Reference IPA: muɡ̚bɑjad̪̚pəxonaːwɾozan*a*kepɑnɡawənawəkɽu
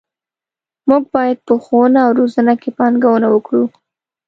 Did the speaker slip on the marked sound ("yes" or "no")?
no